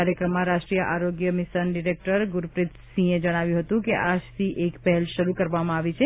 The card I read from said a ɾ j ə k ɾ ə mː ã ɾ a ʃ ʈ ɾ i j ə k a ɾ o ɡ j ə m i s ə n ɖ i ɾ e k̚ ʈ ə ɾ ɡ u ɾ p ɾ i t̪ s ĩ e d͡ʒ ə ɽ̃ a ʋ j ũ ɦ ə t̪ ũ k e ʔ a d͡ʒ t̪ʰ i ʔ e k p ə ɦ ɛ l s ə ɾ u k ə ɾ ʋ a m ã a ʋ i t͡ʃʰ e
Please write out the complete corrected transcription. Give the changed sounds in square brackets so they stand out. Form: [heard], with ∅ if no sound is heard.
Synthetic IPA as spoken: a ɾ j ə k ɾ ə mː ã ɾ a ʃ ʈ ɾ i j ə [ʔ] a ɾ o ɡ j ə m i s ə n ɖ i ɾ e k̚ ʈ ə ɾ ɡ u ɾ p ɾ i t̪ s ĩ e d͡ʒ ə ɽ̃ a ʋ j ũ ɦ ə t̪ ũ k e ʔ a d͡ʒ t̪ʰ i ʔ e k p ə ɦ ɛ l [ʃ] ə ɾ u k ə ɾ ʋ a m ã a ʋ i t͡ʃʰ e